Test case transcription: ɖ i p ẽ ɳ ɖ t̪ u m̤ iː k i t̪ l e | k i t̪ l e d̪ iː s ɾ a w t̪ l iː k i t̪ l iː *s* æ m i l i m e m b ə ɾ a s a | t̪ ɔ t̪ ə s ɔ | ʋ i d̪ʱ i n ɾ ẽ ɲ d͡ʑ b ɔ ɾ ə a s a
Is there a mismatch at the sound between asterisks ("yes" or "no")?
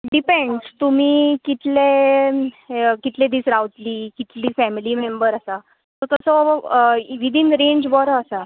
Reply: yes